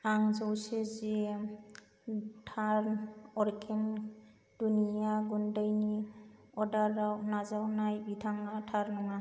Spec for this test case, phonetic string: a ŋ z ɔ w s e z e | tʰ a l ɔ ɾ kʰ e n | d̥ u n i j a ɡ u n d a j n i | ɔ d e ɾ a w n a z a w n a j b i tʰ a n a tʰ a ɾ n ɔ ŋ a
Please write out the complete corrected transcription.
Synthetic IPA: a ŋ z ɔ w s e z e | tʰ a ɾ ɔ ɾ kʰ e n | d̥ u n i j a ɡ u n d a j n i | ɔ d a ɾ a w n a z a w n a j b i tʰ a ŋ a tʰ a ɾ n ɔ ŋ a